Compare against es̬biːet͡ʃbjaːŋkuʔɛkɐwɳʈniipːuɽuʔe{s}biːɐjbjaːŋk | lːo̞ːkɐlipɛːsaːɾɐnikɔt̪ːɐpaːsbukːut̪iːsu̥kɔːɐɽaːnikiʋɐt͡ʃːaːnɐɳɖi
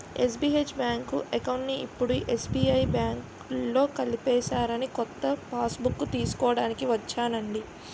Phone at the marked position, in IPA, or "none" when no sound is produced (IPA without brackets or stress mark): s